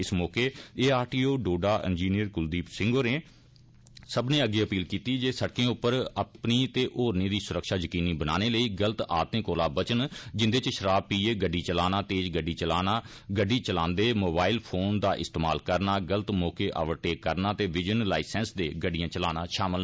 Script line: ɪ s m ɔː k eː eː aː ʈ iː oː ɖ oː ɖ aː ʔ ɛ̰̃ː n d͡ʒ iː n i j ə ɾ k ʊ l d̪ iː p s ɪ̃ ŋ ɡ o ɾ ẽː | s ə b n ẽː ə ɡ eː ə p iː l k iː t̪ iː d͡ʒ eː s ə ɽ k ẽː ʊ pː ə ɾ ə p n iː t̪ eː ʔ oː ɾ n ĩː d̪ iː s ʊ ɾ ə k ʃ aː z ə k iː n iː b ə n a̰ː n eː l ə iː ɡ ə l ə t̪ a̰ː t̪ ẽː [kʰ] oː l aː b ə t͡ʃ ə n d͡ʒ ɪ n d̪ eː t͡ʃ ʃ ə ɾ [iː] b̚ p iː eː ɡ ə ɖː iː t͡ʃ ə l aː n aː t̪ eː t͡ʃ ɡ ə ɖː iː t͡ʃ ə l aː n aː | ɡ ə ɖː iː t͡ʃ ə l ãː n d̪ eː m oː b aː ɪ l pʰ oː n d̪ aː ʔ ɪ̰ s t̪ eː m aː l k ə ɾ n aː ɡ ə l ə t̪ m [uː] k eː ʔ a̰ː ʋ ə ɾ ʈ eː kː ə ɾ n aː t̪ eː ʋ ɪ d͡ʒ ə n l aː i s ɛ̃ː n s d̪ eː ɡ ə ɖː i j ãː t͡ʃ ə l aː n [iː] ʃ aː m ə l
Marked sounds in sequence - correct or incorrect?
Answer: incorrect: k, incorrect: aː, incorrect: ɔː, incorrect: aː

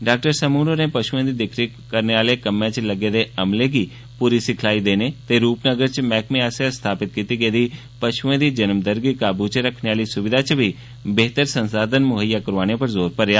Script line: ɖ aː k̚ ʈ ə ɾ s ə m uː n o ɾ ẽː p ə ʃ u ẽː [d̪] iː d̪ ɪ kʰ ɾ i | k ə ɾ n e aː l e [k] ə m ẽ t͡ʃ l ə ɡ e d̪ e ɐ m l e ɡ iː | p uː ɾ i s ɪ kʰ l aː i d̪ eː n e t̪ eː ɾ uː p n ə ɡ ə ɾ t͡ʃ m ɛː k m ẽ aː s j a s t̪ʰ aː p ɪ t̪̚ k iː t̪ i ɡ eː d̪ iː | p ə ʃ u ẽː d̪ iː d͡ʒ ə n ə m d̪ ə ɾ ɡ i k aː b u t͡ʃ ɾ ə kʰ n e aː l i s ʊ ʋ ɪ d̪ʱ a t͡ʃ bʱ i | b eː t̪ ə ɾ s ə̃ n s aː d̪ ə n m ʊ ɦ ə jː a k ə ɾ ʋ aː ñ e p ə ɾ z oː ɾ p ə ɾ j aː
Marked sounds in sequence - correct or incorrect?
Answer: correct, correct

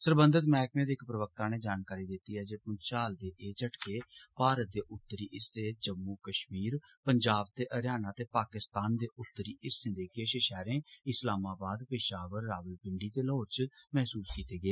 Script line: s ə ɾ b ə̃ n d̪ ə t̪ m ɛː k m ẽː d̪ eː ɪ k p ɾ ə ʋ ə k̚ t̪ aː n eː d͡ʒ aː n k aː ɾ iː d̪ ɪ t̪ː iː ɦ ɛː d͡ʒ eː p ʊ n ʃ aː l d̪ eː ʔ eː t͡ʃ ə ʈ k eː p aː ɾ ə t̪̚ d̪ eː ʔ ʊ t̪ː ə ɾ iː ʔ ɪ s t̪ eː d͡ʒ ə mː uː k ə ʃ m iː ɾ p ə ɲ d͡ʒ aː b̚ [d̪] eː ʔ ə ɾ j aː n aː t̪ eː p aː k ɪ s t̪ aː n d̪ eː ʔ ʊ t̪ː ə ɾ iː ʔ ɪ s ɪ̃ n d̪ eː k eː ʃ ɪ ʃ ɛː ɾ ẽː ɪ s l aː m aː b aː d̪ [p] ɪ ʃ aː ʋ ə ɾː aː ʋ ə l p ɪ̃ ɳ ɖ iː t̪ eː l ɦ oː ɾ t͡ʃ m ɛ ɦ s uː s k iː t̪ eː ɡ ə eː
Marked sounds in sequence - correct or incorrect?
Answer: incorrect: t̪, correct

